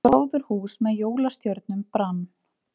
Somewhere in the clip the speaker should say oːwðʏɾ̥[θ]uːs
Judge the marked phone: incorrect: h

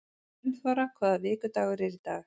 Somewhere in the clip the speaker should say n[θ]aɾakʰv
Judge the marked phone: incorrect: f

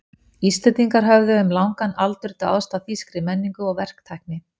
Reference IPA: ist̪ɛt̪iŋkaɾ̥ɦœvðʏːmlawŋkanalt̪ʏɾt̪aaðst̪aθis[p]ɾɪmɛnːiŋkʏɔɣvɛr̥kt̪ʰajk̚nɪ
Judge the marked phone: incorrect: k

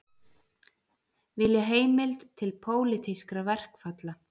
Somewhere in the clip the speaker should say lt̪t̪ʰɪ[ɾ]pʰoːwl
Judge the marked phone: incorrect: l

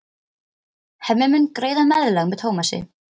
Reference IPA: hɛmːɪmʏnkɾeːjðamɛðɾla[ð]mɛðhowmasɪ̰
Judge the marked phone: incorrect: ɣ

